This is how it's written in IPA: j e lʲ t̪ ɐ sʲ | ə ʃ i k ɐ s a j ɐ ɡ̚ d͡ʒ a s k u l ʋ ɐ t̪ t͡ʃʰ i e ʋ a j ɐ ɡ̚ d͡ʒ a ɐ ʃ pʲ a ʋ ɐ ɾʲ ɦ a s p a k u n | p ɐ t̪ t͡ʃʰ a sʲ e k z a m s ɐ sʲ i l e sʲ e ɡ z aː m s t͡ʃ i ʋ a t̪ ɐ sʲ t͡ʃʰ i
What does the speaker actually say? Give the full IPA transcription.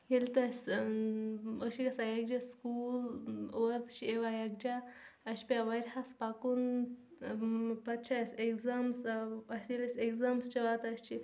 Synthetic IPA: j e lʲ t̪ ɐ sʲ | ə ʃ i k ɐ s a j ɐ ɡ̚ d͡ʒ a s k u l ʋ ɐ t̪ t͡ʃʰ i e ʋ a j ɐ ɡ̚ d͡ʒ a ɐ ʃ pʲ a ʋ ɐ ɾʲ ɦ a s p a k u n | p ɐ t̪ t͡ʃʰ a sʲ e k z a m s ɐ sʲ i l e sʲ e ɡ z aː m s t͡ʃ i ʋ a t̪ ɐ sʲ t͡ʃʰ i

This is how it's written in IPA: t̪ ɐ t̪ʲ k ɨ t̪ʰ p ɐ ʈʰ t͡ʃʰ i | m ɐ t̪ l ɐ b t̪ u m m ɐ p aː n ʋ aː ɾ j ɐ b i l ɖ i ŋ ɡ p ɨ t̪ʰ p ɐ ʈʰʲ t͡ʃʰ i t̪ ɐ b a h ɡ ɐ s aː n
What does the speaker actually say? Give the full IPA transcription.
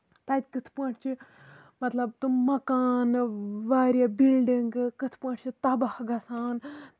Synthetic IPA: t̪ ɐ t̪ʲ k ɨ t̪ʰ p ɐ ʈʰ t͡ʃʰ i | m ɐ t̪ l ɐ b t̪ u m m ɐ k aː n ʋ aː ɾ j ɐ b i l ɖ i ŋ ɡ k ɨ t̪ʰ p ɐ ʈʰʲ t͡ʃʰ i t̪ ɐ b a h ɡ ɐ s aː n

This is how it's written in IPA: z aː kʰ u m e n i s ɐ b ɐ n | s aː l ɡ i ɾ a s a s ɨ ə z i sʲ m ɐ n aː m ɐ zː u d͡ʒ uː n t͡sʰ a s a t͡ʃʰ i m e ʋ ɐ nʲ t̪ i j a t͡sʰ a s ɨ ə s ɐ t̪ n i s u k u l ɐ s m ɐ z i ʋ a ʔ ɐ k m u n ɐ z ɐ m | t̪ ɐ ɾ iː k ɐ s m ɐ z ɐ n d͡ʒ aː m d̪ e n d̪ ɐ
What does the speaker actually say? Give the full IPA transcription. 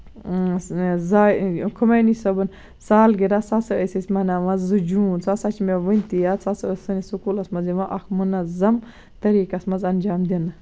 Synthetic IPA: z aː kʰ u m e n i s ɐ b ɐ n | s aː l ɡ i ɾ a s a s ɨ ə s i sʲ m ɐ n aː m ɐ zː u d͡ʒ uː n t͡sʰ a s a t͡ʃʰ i m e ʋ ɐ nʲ t̪ i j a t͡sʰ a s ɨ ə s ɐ n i s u k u l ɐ s m ɐ z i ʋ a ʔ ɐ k m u n ɐ z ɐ m | t̪ ɐ ɾ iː k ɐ s m ɐ z ɐ n d͡ʒ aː m d̪ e n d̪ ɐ

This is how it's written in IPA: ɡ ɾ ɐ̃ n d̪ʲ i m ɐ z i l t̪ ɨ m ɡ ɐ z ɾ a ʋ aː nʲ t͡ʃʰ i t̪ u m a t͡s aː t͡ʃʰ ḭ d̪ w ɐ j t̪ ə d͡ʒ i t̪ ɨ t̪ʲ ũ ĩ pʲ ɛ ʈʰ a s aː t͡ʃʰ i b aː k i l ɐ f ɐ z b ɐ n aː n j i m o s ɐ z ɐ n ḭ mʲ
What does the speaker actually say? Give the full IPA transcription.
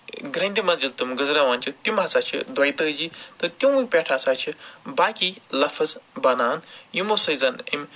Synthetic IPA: ɡ ɾ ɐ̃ n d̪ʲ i m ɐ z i l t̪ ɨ m ɡ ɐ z ɾ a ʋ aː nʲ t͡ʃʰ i t̪ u m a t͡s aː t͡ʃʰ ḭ d̪ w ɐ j t̪ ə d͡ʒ i t̪ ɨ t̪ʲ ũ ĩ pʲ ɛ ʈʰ a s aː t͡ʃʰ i b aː k i l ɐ f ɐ z b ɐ n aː n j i m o s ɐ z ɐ n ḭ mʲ

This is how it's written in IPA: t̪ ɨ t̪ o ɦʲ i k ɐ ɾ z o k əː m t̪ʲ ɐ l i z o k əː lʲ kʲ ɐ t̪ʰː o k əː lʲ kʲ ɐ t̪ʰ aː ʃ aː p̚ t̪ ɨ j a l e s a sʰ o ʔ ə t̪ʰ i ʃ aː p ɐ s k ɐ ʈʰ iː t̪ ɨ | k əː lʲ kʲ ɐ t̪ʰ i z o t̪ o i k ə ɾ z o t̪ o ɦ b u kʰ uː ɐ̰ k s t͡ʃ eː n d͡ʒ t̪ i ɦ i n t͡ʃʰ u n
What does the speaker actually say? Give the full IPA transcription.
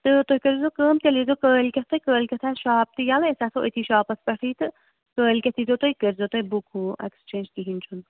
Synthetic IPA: t̪ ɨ t̪ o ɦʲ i k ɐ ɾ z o k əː m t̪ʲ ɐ l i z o k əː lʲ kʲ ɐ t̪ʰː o k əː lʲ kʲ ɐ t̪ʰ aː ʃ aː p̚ t̪ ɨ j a l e s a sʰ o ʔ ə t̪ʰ i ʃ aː p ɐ s p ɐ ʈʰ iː t̪ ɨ | k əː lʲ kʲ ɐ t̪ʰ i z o t̪ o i k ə ɾ z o t̪ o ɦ b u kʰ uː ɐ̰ k s t͡ʃ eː n d͡ʒ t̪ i ɦ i n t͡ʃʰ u n

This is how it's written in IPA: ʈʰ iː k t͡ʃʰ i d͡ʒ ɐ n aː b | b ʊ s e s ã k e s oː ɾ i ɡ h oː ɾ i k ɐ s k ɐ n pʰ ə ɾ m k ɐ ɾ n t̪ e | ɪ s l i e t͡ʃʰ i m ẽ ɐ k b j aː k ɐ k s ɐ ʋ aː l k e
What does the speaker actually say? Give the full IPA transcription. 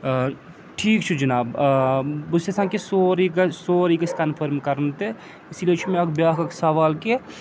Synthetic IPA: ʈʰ iː k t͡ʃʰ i d͡ʒ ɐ n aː b | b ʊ s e s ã k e s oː ɾ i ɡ s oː ɾ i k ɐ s k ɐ n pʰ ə ɾ m k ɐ ɾ n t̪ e | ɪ s l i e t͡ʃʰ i m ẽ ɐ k b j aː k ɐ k s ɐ ʋ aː l k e

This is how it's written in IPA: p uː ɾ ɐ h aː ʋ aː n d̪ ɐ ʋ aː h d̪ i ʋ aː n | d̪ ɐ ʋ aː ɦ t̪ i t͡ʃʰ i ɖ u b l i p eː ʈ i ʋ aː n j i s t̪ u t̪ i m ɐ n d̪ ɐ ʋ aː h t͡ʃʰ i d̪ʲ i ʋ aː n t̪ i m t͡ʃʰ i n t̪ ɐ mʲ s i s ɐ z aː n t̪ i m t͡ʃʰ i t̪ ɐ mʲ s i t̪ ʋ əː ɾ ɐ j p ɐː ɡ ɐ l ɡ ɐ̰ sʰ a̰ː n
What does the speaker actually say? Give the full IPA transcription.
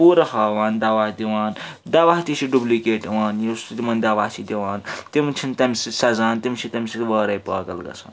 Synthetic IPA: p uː ɾ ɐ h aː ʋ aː n d̪ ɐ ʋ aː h d̪ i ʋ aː n | d̪ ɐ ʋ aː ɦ t̪ i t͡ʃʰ i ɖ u b l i k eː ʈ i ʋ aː n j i s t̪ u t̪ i m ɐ n d̪ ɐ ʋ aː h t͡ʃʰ i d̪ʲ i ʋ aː n t̪ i m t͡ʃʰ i n t̪ ɐ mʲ s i s ɐ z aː n t̪ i m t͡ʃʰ i t̪ ɐ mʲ s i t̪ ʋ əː ɾ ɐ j p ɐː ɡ ɐ l ɡ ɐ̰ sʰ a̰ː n

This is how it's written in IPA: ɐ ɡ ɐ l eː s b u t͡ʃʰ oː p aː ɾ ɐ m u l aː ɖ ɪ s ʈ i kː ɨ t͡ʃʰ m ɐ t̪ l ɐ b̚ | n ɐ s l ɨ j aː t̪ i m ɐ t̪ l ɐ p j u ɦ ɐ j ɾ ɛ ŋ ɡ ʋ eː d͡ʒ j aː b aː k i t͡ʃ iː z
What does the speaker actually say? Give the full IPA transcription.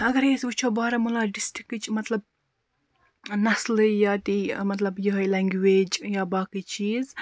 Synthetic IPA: ɐ ɡ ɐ ɾ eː s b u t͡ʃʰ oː b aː ɾ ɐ m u l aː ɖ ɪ s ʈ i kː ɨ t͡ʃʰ m ɐ t̪ l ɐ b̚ | n ɐ s l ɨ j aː t̪ i m ɐ t̪ l ɐ b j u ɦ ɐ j l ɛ ŋ ɡ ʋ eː d͡ʒ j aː b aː k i t͡ʃ iː z

